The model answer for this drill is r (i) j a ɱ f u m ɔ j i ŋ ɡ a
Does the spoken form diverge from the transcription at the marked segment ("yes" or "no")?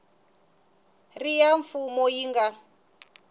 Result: no